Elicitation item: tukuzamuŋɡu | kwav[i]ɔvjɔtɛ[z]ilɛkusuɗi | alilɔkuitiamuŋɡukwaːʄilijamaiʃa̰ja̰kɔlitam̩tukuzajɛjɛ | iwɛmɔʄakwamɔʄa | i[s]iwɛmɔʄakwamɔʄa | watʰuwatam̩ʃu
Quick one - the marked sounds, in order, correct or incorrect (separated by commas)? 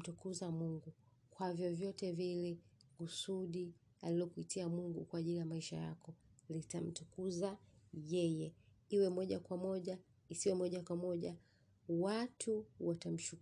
incorrect, incorrect, correct